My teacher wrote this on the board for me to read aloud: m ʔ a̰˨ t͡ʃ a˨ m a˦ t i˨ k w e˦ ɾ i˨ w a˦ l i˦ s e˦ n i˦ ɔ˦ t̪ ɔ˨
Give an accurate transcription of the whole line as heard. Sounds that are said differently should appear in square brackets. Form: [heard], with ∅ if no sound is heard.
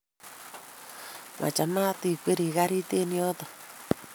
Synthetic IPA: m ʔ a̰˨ t͡ʃ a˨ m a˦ t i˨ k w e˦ ɾ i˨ [ɣ] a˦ [ɾ] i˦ [t] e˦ n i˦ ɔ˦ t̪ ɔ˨